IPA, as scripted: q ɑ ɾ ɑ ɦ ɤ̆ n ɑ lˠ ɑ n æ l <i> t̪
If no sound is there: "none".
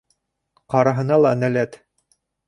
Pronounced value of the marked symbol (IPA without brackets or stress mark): æ